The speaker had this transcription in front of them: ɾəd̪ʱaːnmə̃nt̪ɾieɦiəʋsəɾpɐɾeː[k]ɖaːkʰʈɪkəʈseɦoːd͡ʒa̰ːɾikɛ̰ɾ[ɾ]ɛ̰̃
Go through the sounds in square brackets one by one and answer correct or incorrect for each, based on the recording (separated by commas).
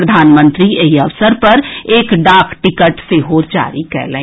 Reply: correct, incorrect